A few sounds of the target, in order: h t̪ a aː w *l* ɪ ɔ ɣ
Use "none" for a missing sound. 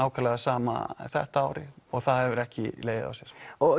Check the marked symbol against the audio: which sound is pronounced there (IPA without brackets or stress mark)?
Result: ɾ